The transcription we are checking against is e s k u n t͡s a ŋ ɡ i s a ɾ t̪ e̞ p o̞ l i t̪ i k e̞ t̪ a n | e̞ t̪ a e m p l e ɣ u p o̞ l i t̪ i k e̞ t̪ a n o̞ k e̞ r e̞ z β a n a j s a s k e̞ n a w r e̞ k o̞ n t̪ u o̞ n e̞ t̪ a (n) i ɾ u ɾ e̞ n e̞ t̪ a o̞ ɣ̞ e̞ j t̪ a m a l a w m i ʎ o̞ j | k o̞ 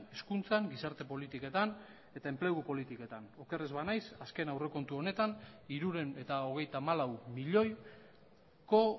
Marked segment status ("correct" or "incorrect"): correct